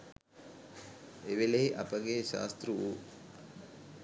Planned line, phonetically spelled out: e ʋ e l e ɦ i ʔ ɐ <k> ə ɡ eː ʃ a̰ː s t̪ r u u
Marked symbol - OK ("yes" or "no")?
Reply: no